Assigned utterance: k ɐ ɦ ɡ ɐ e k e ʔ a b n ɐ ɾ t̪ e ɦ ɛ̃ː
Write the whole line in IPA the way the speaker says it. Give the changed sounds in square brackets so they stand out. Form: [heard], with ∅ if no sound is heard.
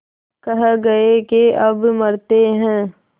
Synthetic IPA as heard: k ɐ ɦ ɡ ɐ e k e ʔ [ɐ] b [m] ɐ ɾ t̪ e ɦ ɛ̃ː